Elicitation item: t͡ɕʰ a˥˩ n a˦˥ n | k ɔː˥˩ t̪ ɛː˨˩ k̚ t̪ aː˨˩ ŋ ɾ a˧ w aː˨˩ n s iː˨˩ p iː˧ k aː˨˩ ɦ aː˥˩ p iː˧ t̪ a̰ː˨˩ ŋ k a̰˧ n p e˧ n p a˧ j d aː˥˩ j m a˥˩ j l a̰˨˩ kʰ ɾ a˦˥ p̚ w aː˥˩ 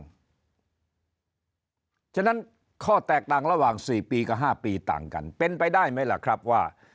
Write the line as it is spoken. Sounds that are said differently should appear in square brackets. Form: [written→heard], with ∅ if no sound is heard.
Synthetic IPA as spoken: t͡ɕʰ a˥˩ n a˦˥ n | [k→kʰ] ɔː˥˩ t̪ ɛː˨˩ k̚ t̪ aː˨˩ ŋ ɾ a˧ w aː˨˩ [n→ŋ] s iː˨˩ p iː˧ k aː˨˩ ɦ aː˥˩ p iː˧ t̪ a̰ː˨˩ ŋ k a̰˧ n p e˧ n p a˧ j d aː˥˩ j m [a˥˩→a˦˥] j l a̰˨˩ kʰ ɾ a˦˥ p̚ w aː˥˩